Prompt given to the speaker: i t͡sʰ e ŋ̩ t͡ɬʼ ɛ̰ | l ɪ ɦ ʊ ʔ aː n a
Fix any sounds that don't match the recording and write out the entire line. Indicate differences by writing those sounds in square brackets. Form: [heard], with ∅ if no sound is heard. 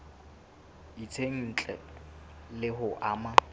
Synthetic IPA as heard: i t͡sʰ e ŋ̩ t͡ɬʼ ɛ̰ | l ɪ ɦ ʊ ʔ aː [m] a